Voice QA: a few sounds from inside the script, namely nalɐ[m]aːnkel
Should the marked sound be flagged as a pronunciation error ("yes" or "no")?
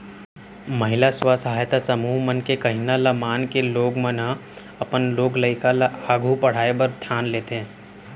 no